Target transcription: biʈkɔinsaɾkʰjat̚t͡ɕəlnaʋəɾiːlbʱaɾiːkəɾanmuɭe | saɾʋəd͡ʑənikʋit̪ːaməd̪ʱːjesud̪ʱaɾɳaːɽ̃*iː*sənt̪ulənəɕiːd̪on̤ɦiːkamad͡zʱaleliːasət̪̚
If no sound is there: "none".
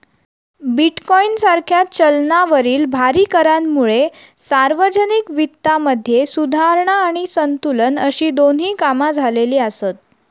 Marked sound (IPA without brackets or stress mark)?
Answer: i